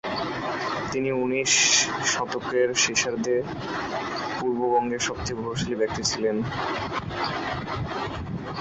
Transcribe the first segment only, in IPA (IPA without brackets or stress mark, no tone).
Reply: t̪